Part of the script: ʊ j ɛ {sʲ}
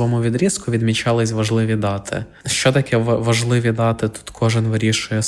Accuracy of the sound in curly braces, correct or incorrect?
incorrect